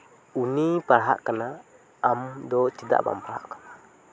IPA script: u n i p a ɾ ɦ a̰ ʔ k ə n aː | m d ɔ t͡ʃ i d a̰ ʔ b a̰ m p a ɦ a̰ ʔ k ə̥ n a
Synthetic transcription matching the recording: u n i p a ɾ ɦ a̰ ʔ k ə n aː | m d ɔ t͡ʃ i d a̰ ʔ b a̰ m p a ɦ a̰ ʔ k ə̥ n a